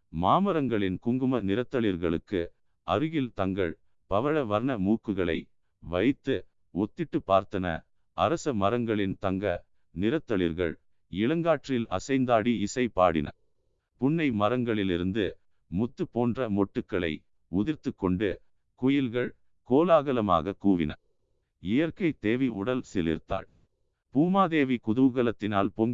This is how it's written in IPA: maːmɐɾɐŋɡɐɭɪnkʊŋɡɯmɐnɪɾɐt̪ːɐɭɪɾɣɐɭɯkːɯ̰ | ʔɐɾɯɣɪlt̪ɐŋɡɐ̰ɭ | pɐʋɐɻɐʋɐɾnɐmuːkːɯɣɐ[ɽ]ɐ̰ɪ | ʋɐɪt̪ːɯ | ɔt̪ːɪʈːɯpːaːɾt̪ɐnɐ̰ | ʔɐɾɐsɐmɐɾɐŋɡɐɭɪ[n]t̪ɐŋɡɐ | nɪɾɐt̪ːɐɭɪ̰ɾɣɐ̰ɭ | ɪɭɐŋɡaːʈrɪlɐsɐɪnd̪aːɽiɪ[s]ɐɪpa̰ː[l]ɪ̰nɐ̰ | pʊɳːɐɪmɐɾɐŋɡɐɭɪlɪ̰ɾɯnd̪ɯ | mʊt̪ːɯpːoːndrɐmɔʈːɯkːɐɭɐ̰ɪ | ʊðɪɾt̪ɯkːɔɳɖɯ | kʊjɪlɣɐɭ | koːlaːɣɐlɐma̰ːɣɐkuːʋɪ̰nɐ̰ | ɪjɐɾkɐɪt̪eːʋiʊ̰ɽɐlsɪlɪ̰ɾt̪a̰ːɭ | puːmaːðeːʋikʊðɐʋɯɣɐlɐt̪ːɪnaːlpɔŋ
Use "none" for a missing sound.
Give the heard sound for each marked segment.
ɭ, n, s, ɽ

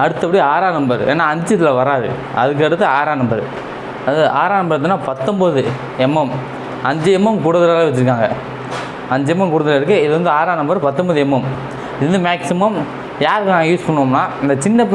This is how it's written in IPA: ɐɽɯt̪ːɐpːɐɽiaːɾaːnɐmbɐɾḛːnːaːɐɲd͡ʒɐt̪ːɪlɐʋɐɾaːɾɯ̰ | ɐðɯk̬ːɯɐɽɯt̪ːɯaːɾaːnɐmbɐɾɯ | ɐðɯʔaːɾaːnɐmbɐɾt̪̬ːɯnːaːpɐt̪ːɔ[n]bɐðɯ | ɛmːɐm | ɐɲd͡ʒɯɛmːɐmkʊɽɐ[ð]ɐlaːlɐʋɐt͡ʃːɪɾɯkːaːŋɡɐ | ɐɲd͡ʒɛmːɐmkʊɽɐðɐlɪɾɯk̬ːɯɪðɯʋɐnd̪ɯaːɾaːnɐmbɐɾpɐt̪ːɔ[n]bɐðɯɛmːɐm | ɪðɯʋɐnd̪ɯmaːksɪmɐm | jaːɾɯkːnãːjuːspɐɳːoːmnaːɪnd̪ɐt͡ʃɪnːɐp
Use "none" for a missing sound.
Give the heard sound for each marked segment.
m, ð, m

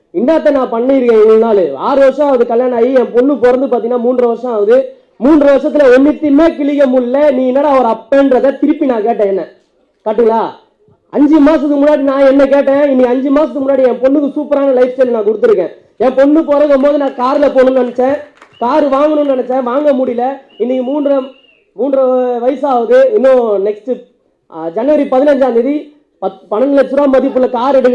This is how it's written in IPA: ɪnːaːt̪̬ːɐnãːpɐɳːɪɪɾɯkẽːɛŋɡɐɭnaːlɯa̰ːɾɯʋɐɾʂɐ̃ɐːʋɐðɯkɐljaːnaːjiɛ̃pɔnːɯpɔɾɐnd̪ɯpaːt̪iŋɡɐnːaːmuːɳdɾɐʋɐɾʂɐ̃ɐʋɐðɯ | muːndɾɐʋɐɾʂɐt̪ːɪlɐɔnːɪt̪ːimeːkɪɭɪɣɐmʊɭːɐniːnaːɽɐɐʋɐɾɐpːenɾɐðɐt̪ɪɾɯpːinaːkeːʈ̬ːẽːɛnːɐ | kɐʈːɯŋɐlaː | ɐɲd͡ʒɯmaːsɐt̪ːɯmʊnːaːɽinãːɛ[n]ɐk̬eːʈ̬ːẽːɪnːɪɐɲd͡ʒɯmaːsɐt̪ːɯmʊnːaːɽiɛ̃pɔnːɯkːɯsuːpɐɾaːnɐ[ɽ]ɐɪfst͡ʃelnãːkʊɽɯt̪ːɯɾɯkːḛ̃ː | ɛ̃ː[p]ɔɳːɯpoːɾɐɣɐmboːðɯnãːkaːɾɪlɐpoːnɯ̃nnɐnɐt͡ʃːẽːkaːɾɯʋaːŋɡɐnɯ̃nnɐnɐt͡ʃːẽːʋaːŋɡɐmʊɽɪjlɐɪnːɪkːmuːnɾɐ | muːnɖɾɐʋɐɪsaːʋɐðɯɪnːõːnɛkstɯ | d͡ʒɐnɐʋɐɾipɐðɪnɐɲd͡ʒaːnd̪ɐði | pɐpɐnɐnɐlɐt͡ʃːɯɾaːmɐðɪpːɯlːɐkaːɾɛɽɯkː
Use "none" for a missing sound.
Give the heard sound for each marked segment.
nː, l, p

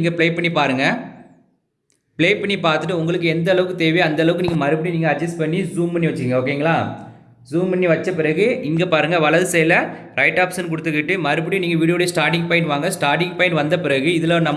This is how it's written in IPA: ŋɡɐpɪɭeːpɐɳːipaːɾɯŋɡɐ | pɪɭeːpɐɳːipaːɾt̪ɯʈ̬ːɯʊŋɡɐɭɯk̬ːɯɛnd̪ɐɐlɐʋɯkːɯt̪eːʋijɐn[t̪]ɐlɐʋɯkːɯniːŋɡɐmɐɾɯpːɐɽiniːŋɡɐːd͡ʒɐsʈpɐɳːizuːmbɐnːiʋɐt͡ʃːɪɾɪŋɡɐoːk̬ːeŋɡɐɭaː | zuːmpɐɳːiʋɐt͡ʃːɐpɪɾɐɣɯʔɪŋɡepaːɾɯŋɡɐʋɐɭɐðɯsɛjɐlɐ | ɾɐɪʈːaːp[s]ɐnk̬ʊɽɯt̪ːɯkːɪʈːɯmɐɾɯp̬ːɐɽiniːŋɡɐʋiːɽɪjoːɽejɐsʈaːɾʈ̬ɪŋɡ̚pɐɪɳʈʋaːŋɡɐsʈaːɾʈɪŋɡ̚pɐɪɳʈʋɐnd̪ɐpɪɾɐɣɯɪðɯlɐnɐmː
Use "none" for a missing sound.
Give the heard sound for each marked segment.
d̪, s

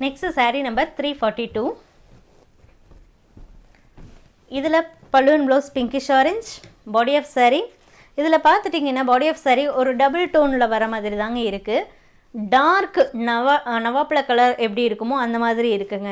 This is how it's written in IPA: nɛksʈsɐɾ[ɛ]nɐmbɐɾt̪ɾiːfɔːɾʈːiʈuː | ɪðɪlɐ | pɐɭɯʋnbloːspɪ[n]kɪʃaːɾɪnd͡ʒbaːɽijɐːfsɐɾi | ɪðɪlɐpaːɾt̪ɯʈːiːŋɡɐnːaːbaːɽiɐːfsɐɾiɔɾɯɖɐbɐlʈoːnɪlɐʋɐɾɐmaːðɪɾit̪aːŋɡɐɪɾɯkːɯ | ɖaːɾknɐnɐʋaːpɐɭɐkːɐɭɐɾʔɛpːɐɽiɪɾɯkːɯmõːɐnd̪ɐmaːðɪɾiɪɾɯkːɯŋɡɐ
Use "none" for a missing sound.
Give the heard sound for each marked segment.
i, ŋ

